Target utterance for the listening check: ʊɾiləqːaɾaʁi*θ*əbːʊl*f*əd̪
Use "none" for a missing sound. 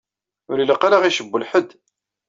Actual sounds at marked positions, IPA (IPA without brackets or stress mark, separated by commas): ʃ, ħ